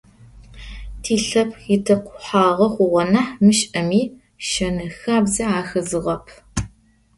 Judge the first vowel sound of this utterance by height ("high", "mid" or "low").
high